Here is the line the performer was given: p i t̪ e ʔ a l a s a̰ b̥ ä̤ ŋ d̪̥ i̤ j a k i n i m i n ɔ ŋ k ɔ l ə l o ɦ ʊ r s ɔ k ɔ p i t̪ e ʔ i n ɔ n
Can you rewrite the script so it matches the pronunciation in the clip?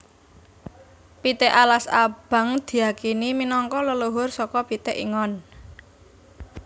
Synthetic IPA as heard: p i t̪ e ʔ a l a s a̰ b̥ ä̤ ŋ d̪̥ i̤ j a k i n i m i n ɔ ŋ k ɔ l ə l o ɦ ʊ r s ɔ k ɔ p i t̪ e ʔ i ŋ ɔ n